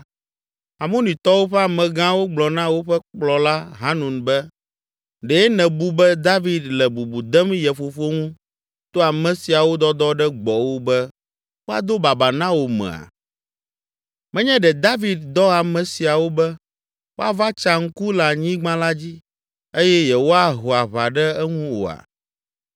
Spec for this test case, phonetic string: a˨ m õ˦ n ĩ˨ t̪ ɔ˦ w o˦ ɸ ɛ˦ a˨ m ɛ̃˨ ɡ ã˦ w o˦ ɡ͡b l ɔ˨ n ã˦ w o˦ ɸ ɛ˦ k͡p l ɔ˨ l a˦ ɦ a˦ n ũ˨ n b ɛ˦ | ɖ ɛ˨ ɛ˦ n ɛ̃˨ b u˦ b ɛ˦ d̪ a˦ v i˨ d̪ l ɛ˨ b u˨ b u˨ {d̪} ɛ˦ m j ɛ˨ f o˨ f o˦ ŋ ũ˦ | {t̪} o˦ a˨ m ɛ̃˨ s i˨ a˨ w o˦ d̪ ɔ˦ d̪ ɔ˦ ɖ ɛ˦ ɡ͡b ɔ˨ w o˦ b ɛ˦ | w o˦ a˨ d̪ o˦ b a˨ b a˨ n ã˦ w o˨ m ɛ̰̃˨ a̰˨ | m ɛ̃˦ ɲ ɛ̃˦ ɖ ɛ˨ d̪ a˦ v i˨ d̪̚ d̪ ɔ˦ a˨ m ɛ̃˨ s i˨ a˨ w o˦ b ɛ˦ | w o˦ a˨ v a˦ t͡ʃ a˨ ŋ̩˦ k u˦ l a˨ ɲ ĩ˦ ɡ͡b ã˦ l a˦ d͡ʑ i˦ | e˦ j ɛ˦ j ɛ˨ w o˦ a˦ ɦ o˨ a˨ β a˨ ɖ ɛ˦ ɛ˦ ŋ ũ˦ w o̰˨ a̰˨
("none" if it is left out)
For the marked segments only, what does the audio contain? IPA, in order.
d̪, t̪

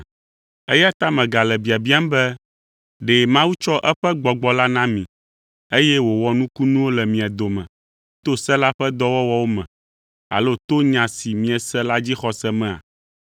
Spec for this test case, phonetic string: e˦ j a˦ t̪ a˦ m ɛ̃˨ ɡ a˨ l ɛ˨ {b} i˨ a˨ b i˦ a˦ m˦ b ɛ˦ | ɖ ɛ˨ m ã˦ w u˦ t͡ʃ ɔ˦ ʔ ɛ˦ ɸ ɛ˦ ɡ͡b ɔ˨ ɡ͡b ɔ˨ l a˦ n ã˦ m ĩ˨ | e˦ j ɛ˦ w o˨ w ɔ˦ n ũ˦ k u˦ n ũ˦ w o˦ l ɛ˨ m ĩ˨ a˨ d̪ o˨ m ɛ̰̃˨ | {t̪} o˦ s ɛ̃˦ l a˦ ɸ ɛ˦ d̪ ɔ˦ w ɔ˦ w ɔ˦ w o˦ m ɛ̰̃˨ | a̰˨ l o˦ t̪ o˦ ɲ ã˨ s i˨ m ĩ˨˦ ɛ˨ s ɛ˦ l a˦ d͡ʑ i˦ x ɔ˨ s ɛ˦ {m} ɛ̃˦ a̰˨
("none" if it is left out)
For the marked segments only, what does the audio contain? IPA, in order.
b, t̪, m

